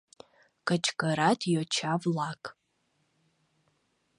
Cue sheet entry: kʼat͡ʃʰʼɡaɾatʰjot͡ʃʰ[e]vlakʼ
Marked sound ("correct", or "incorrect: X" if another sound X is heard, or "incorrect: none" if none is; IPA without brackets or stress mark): incorrect: a